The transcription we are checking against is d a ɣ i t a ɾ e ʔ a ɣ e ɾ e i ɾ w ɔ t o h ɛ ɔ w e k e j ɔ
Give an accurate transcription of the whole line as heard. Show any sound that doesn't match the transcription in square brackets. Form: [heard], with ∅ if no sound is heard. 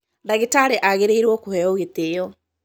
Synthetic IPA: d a ɣ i t a ɾ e ʔ a ɣ e ɾ e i ɾ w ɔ [k] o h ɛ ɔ [ɣ] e [t] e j ɔ